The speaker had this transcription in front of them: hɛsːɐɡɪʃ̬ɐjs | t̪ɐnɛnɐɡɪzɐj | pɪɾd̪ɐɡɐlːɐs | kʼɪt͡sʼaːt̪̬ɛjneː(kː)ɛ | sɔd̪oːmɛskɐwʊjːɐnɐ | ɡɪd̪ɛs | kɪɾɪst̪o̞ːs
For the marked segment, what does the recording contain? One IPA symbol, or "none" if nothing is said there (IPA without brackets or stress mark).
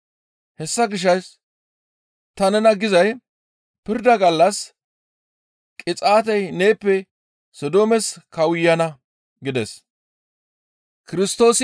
pː